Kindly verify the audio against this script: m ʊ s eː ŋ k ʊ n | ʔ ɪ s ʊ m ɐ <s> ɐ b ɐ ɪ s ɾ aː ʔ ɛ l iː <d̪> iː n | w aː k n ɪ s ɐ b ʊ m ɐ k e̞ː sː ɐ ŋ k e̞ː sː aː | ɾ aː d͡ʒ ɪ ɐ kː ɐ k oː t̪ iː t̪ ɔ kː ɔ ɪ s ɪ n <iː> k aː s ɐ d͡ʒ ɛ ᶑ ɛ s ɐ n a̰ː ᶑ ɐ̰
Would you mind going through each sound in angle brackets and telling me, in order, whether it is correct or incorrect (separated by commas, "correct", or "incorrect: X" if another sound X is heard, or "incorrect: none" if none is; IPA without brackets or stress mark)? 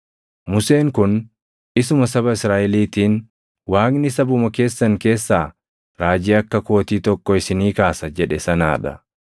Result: correct, incorrect: t̪, correct